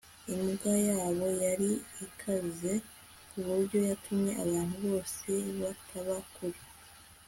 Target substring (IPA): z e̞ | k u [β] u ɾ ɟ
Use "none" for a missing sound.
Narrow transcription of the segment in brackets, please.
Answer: β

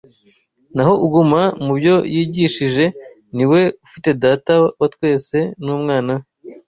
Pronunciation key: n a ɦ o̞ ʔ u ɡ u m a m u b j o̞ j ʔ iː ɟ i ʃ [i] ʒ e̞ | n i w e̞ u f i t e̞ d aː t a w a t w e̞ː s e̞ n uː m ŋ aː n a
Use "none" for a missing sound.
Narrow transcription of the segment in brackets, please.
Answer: i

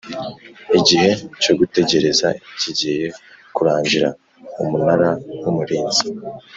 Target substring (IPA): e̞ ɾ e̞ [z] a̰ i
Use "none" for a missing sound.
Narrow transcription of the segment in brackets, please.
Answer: z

